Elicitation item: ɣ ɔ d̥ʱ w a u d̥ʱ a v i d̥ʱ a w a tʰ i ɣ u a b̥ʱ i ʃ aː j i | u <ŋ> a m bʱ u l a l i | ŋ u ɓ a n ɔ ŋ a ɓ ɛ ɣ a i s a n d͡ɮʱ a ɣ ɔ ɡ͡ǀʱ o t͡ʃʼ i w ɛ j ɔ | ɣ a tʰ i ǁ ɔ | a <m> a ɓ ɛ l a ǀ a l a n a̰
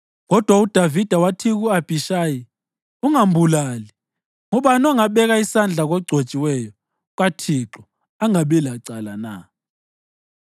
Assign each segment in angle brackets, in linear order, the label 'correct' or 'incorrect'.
correct, incorrect

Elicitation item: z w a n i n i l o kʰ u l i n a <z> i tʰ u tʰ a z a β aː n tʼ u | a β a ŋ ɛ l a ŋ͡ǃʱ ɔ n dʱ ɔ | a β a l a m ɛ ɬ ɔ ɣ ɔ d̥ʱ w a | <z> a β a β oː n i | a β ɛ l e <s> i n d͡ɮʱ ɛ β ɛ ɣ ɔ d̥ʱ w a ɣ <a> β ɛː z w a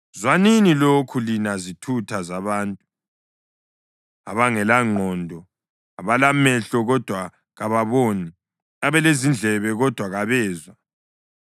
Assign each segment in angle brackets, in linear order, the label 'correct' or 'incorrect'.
correct, incorrect, incorrect, correct

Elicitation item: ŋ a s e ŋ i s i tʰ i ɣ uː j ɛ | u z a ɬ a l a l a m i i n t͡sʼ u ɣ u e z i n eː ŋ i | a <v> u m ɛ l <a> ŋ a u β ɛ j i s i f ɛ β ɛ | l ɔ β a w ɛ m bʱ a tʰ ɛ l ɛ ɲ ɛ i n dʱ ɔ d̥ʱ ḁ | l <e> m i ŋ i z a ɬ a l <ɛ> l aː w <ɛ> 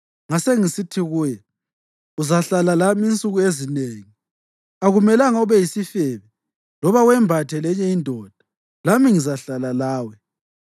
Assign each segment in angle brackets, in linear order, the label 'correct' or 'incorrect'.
incorrect, correct, incorrect, incorrect, correct

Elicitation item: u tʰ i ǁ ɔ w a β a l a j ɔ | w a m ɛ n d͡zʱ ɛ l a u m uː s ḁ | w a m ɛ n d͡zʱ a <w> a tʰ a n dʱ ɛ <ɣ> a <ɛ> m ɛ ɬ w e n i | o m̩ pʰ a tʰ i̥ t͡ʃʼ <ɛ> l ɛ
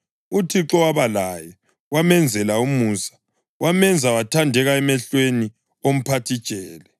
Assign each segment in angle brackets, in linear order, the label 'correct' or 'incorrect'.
correct, correct, correct, incorrect

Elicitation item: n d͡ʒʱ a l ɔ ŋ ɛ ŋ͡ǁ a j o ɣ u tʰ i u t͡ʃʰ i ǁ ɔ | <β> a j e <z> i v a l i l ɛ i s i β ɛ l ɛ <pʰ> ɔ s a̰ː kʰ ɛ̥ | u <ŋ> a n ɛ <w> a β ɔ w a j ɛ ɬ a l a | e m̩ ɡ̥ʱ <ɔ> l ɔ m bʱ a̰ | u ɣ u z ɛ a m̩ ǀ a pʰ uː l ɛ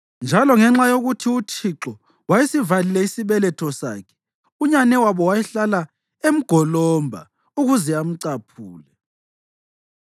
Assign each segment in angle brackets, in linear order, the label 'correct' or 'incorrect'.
incorrect, incorrect, incorrect, incorrect, correct, correct

